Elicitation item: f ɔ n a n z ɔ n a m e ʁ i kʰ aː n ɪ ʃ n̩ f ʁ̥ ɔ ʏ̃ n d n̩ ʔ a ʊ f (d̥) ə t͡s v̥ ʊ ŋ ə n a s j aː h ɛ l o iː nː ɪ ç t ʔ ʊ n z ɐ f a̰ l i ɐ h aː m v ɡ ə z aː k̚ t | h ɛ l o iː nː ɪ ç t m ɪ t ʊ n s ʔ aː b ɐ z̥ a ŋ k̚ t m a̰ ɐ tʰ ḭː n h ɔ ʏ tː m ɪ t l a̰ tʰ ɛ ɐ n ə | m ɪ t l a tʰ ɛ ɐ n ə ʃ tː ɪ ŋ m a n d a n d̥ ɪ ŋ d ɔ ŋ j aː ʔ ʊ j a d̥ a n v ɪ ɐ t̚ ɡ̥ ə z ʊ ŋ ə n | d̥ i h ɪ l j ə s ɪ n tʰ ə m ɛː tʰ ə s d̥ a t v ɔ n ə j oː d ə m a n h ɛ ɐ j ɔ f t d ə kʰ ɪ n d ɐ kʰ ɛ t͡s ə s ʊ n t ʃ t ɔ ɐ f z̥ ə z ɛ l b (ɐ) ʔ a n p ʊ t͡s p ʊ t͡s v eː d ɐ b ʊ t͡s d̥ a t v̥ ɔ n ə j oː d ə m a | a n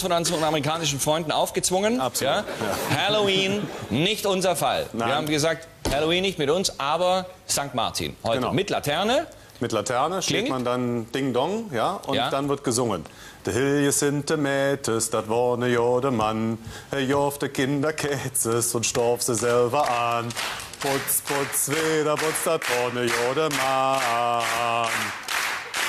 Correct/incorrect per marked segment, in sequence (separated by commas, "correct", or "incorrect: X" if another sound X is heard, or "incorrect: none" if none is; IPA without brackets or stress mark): incorrect: ɡ̥, correct